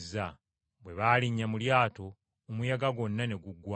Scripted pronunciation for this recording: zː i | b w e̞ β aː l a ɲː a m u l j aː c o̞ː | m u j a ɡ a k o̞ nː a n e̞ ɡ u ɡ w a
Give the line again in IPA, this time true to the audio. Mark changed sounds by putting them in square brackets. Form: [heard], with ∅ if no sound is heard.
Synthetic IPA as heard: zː [a] | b w e̞ β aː l [i] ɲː a m u l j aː [t] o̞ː | m u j a ɡ a [ɡ] o̞ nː a n e̞ ɡ u ɡ w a